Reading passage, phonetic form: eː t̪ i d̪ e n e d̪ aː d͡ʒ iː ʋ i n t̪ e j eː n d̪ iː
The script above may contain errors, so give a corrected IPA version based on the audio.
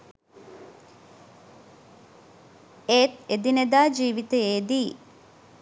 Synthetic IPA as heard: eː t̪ e d̪ i n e d̪ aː d͡ʒ iː ʋ i t̪ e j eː d̪ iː